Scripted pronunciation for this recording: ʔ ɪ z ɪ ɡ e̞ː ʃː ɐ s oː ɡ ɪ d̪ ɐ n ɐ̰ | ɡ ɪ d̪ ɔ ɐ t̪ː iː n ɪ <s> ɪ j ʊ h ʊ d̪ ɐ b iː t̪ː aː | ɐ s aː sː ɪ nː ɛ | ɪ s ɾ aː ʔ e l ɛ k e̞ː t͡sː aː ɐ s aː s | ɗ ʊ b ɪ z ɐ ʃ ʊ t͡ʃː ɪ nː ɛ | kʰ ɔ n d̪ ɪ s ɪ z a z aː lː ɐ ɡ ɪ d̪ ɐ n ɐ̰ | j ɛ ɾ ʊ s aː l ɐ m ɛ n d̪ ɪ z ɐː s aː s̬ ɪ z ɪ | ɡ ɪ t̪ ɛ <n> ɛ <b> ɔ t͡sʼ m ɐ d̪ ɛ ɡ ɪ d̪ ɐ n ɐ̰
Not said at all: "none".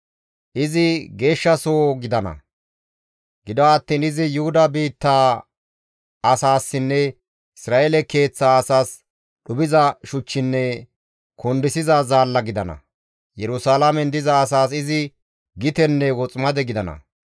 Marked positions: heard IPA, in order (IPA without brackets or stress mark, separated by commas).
z, nː, w